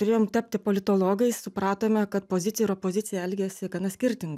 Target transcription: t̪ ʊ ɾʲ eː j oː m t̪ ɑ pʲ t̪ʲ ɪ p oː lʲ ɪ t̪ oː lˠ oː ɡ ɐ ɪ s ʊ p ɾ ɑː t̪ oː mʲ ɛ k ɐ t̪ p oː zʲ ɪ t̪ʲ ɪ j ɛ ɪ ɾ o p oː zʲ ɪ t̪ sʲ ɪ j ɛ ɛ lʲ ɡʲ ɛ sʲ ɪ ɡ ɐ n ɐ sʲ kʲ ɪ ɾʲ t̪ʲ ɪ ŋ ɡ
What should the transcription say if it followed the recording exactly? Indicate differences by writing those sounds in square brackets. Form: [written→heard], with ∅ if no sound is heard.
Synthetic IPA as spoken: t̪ ʊ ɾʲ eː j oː m t̪ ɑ pʲ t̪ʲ ɪ p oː lʲ ɪ t̪ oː lˠ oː ɡ ɐ ɪ s ʊ p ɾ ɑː t̪ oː mʲ ɛ k ɐ t̪ p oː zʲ ɪ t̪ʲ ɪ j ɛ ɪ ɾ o p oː zʲ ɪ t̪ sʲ ɪ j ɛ ɛ lʲ ɡʲ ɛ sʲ ɪ ɡ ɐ n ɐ sʲ kʲ ɪ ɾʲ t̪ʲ ɪ ŋ ɡ